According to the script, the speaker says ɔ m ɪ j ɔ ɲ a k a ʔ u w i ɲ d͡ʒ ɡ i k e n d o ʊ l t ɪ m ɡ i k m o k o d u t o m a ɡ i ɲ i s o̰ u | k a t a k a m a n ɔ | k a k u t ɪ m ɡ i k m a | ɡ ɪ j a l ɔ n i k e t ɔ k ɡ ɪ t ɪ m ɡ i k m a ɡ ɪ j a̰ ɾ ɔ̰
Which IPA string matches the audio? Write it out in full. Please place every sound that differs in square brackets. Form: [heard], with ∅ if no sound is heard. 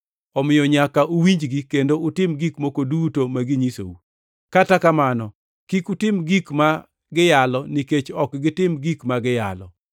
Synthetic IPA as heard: ɔ m ɪ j ɔ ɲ a k a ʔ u w i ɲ d͡ʒ ɡ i k e n d o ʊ [∅] t ɪ m ɡ i k m o k o d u t o m a ɡ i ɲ i s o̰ u | k a t a k a m a n ɔ | k [i] k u t ɪ m ɡ i k m a | ɡ ɪ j a l ɔ n i k e [t͡ʃ] ɔ k ɡ ɪ t ɪ m ɡ i k m a ɡ ɪ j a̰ [l] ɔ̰